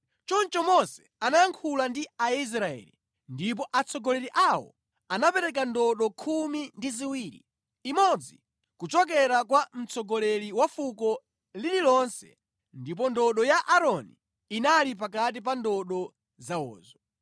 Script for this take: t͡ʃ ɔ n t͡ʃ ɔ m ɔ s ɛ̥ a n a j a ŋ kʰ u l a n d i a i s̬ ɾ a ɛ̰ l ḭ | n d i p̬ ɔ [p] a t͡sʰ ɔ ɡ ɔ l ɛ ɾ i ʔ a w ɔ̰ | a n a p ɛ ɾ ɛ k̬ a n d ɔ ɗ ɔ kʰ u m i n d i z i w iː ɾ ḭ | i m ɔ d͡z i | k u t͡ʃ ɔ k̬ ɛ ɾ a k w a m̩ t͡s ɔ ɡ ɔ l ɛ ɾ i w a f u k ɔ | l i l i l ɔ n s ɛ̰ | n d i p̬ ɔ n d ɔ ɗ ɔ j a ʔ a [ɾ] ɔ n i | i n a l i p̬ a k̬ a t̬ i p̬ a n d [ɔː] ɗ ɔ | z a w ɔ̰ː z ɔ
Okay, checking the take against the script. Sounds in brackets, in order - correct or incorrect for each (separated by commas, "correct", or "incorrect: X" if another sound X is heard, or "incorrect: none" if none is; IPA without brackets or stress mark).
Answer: incorrect: ʔ, correct, incorrect: ɔ